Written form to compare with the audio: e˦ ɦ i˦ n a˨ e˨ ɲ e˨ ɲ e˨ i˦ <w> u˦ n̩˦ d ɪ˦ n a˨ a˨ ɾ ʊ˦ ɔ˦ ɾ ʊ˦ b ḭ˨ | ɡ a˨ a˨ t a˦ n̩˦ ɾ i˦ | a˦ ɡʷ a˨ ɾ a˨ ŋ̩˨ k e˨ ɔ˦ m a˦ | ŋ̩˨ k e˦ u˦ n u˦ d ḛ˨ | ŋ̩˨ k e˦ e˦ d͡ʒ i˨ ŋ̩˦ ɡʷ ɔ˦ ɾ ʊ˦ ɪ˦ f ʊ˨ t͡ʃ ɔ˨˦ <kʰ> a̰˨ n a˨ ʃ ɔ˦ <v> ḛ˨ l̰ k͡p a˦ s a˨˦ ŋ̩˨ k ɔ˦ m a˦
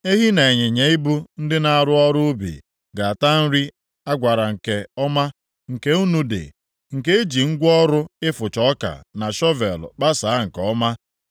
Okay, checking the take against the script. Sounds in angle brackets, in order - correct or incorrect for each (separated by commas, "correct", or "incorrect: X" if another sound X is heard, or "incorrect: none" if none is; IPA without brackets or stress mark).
incorrect: b, incorrect: k, correct